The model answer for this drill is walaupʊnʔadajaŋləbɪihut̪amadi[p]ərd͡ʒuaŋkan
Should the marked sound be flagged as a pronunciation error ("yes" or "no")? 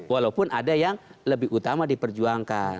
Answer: no